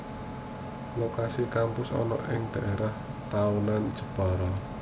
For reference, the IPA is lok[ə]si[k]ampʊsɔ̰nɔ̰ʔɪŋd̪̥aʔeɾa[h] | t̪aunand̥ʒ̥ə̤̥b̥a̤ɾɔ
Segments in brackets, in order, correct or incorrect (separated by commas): incorrect, correct, correct